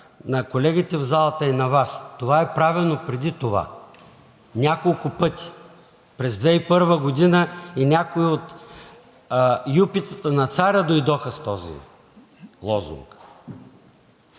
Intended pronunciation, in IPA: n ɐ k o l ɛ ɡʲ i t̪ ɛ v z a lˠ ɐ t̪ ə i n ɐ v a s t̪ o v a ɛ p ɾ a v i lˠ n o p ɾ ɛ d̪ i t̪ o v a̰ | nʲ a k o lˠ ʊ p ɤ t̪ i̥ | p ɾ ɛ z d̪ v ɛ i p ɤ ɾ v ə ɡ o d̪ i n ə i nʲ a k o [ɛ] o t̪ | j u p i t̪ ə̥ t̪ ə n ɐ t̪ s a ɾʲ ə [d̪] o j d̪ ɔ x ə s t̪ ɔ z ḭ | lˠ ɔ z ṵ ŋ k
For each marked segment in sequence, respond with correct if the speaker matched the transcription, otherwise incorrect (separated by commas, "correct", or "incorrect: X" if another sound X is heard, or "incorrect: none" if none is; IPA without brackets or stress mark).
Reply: incorrect: i, correct